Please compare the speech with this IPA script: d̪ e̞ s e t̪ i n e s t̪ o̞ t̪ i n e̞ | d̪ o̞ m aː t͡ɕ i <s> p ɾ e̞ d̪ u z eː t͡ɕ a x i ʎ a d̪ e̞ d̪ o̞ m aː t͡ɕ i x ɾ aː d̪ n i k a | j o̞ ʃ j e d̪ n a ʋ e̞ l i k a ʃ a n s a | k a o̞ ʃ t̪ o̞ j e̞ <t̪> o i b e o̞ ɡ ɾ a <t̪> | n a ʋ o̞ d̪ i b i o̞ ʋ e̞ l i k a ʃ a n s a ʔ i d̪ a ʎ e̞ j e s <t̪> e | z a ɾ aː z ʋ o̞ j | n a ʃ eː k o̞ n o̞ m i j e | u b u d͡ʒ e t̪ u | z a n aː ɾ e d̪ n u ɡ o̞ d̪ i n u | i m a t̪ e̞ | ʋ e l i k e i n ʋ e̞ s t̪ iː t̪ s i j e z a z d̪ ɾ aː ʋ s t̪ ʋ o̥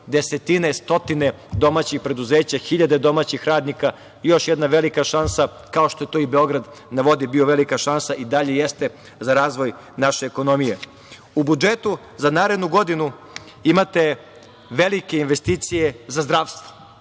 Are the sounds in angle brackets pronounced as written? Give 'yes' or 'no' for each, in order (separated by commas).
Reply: no, yes, no, yes